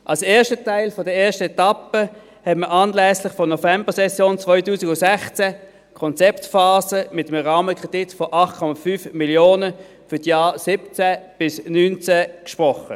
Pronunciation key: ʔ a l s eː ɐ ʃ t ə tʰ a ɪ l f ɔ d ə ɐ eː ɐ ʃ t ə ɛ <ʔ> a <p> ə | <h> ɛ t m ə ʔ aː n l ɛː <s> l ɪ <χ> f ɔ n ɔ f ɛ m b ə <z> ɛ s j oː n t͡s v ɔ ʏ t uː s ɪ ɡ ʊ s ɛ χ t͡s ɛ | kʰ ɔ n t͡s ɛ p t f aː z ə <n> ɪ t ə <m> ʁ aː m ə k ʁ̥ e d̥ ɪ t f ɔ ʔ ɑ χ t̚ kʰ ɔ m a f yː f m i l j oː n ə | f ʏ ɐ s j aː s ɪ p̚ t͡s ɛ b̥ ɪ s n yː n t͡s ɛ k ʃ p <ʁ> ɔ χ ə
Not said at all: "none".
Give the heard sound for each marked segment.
t, p, h, s, χ, s, m, m, ʁ

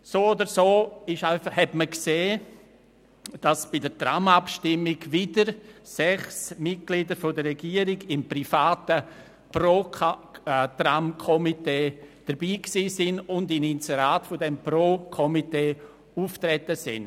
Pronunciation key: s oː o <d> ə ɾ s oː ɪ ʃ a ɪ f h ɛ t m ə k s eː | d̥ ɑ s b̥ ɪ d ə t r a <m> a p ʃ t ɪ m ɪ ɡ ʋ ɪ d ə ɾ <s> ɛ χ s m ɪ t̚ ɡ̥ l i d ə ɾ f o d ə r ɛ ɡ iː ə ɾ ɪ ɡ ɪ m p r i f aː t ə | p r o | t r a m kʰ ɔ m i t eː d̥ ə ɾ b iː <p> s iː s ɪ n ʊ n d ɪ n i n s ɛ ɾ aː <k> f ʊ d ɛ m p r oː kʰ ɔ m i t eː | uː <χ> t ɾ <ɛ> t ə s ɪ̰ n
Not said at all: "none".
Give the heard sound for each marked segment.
d, m, s, k, t, f, ɛ

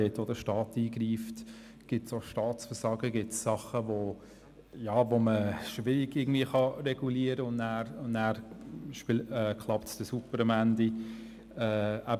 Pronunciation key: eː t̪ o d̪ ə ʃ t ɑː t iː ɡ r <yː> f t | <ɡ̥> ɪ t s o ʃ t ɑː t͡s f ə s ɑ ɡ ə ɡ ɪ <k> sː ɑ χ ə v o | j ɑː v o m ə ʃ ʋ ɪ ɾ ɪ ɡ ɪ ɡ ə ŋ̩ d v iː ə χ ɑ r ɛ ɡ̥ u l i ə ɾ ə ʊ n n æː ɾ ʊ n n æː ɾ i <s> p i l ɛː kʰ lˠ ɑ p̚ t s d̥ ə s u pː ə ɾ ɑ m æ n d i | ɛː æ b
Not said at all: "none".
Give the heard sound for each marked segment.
iː, ɡ̥, t, ʃ

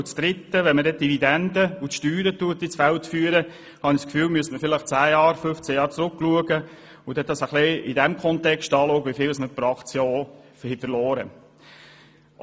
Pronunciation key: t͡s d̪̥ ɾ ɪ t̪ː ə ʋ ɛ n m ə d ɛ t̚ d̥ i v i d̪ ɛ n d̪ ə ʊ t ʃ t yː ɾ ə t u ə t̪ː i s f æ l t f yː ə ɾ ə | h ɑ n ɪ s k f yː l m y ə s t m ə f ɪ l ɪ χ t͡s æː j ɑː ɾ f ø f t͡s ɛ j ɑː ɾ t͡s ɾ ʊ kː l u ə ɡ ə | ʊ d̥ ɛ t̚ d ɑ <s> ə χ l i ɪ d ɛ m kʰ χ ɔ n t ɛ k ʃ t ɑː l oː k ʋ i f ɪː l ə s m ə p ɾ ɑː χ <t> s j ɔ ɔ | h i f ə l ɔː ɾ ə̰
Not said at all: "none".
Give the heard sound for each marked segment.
s, t

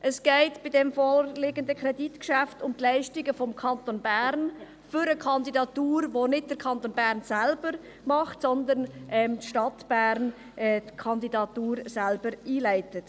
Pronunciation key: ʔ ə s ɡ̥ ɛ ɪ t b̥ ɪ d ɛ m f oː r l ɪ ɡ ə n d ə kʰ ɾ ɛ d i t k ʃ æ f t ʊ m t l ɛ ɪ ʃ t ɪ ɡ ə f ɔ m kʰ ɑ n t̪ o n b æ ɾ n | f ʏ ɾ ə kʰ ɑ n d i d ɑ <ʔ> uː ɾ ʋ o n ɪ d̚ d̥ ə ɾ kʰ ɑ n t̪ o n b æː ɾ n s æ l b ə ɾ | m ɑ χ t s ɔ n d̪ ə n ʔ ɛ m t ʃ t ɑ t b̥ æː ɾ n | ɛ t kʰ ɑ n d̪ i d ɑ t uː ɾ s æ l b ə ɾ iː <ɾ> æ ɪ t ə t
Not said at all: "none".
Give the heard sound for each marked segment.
t, l

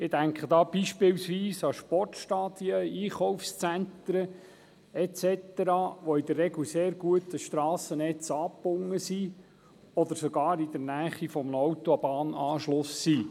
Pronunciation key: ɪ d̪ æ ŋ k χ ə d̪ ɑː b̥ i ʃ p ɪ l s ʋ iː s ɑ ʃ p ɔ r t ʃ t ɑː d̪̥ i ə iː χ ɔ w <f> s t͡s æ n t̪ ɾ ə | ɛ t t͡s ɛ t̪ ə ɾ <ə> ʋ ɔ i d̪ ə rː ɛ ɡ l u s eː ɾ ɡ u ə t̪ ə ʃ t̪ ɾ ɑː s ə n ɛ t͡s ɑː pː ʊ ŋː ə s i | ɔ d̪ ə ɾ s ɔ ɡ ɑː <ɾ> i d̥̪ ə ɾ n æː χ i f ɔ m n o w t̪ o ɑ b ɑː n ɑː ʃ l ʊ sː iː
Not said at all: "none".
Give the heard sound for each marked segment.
f, ɑ, ɾ

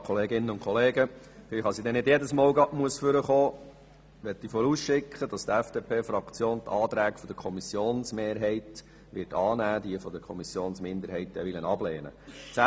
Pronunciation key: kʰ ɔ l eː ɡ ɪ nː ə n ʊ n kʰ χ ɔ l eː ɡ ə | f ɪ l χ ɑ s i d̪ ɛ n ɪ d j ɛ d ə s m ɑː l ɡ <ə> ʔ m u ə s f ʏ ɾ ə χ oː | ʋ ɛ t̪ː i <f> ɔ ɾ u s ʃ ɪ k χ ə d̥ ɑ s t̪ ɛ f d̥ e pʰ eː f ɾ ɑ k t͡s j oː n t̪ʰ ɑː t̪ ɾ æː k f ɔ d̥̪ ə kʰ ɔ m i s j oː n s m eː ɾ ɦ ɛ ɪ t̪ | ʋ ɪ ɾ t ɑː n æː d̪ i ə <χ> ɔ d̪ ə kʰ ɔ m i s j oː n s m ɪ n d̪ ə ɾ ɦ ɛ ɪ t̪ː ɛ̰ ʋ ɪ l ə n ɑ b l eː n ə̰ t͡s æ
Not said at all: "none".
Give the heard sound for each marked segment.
ɑ, f, f

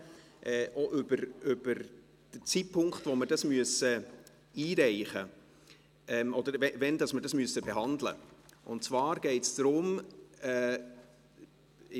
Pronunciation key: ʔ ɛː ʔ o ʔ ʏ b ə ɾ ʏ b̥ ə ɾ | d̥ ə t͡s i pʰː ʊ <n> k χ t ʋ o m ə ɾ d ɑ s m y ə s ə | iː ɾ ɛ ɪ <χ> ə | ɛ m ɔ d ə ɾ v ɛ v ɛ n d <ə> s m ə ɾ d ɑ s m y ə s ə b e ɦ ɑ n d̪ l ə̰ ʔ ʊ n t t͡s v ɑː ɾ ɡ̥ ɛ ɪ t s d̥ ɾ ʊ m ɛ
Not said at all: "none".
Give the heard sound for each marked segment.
ŋ, χ, ɑ

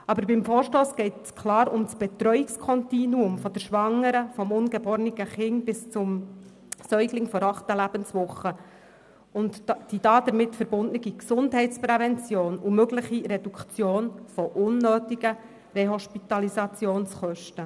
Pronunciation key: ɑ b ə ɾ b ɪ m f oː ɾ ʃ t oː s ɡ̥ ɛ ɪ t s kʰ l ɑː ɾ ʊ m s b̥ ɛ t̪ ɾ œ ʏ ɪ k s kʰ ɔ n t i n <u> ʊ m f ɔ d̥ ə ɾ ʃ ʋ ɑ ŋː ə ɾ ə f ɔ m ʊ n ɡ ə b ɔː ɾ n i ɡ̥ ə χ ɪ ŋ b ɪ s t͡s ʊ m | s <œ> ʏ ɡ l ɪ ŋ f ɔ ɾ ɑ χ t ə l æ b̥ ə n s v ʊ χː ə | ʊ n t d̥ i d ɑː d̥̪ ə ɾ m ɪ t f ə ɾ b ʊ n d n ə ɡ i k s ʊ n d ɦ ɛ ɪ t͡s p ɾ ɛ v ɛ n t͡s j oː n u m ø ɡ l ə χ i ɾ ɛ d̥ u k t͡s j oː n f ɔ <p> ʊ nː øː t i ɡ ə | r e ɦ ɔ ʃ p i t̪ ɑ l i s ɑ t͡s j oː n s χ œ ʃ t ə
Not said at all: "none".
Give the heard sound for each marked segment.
u, œ, ʔ

